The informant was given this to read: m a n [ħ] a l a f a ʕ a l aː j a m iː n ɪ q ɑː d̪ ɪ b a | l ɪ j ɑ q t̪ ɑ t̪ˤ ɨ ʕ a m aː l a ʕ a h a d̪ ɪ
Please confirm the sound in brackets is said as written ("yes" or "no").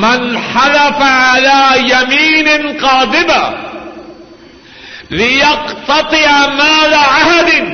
yes